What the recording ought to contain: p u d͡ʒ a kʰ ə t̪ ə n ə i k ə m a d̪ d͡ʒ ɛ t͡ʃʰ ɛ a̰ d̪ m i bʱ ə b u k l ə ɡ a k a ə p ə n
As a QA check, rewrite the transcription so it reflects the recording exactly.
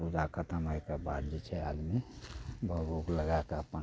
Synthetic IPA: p u d͡ʒ a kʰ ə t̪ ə m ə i k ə b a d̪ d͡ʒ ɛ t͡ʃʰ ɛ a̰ d̪ m i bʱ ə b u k l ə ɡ a k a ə p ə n

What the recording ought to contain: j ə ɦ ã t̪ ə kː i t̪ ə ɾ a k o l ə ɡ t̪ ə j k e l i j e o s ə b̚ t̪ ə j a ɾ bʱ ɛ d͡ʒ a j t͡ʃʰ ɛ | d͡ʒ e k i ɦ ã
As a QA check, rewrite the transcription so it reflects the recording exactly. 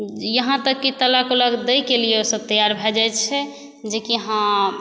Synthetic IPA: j ə ɦ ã t̪ ə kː i t̪ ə l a k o l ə ɡ d̪ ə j k e l i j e o s ə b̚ t̪ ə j a ɾ bʱ ɛ d͡ʒ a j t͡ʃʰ ɛ | d͡ʒ e k i ɦ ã

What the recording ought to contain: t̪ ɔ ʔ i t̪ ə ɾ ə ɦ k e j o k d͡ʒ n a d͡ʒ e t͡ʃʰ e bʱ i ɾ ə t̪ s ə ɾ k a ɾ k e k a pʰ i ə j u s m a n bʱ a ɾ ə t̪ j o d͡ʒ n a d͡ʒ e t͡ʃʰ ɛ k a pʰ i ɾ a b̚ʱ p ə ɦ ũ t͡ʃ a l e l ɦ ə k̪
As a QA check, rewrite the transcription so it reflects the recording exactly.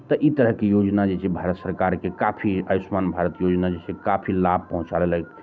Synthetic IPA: t̪ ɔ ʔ i t̪ ə ɾ ə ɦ k e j o d͡ʒ n a d͡ʒ e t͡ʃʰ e bʱ a ɾ ə t̪ s ə ɾ k a ɾ k e k a pʰ i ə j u s m a n bʱ a ɾ ə t̪ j o d͡ʒ n a d͡ʒ e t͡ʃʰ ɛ k a pʰ i l a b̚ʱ p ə ɦ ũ t͡ʃ a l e l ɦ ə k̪

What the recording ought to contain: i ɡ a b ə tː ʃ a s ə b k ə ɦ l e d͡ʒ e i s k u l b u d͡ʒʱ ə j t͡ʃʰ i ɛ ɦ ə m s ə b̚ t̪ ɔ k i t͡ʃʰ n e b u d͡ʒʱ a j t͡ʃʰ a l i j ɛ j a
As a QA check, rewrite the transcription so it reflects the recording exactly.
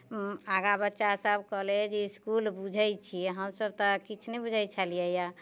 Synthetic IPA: a ɡ a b ə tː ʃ a s ə b k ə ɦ l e d͡ʒ e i s k u l b u d͡ʒʱ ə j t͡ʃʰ i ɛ ɦ ə m s ə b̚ t̪ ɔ k i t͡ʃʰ n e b u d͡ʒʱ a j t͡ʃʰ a l i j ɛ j a

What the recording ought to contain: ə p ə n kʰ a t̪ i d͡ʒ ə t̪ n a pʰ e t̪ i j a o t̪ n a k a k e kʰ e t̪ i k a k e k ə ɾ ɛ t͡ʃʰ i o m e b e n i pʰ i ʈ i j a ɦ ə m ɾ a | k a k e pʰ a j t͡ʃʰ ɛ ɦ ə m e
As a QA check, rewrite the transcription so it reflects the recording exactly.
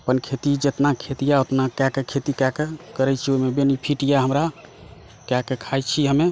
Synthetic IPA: ə p ə n kʰ e t̪ i d͡ʒ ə t̪ n a kʰ e t̪ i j a o t̪ n a k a k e kʰ e t̪ i k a k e k ə ɾ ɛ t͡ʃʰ i o m e b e n i pʰ i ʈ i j a ɦ ə m ɾ a | k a k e kʰ a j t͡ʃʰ i ɦ ə m e

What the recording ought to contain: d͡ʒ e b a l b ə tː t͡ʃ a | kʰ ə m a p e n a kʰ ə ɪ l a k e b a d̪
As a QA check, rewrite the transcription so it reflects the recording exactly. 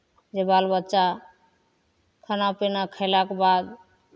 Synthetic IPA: d͡ʒ e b a l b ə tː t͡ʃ a | kʰ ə n a p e n a kʰ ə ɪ l a k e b a d̪

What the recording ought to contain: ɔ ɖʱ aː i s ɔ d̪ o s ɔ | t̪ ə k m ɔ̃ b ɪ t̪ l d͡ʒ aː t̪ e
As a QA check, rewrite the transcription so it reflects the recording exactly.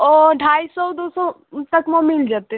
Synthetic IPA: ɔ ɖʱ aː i s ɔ d̪ o s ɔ | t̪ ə k m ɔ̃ m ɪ l d͡ʒ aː t̪ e

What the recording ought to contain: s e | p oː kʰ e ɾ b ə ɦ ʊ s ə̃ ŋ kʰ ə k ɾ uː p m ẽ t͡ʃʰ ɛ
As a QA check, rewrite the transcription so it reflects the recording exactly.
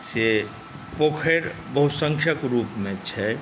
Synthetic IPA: s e | p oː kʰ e ɾ b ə ɦ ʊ s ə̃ ŋ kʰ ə k ɾ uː p m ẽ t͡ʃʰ ɛ

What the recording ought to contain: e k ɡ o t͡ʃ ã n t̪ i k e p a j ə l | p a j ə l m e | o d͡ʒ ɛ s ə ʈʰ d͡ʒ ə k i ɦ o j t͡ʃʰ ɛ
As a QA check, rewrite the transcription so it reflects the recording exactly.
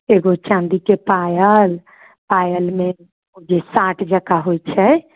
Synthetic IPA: e ɡ o t͡ʃ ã n d̪ i k e p a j ə l | p a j ə l m e | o d͡ʒ e s a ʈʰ d͡ʒ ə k a ɦ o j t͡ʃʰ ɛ

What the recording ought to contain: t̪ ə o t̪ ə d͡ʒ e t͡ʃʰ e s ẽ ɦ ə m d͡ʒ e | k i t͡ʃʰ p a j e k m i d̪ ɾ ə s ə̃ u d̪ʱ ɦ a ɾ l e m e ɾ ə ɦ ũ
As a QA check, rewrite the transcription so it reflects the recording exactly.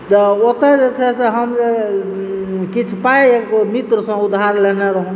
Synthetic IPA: t̪ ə o t̪ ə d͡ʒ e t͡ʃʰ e s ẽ ɦ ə m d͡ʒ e | k i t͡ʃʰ p a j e k m i t̪ ɾ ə s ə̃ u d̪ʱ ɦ a ɾ l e n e ɾ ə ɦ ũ

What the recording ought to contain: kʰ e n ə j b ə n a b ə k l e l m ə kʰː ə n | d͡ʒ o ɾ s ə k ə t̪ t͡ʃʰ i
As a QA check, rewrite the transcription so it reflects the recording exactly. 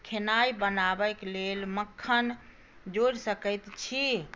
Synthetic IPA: kʰ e n a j b ə n a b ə k l e l m ə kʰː ə n | d͡ʒ o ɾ s ə k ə t̪ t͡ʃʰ i

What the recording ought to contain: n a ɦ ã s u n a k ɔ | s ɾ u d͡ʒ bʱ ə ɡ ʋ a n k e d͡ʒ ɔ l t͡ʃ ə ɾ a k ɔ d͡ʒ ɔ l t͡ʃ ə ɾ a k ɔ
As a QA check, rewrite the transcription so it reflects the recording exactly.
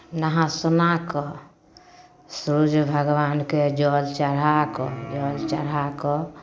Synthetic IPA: n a ɦ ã s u n a k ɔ | s ɾ u d͡ʒ bʱ ə ɡ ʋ a n k e d͡ʒ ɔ l t͡ʃ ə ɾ a k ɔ d͡ʒ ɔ l t͡ʃ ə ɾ a k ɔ

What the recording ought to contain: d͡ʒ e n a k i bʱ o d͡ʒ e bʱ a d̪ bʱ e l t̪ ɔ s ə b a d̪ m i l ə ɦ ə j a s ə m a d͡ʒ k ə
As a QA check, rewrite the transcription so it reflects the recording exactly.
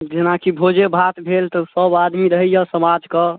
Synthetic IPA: d͡ʒ e n a k i bʱ o d͡ʒ e bʱ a t̪ bʱ e l t̪ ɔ s ə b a d̪ m i ɾ ə ɦ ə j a s ə m a d͡ʒ k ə

